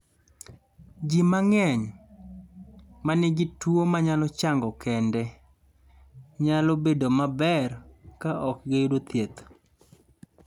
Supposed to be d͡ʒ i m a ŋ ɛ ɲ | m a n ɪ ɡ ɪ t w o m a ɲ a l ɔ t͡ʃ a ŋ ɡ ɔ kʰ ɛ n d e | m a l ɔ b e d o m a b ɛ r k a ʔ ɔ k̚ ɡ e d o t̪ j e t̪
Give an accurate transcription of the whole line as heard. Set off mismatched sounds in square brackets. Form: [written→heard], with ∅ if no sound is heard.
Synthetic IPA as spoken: d͡ʒ i m a ŋ ɛ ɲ | m a n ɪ ɡ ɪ t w o m a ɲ a l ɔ t͡ʃ a ŋ ɡ ɔ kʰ ɛ n d [e→ɛ] | [m→ɲ] a l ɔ b e d o m a b ɛ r k a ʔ ɔ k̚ ɡ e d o t̪ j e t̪